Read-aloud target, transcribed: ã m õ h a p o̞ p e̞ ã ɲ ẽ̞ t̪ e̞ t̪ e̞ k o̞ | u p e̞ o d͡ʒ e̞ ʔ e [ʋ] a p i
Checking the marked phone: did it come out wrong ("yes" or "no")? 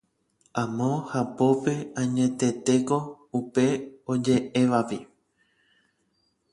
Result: no